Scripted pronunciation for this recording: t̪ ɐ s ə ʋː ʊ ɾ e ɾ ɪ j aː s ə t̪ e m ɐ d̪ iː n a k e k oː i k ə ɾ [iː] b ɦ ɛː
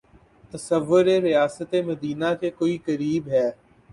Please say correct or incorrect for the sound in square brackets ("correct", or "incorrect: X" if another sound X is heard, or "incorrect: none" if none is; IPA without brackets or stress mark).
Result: correct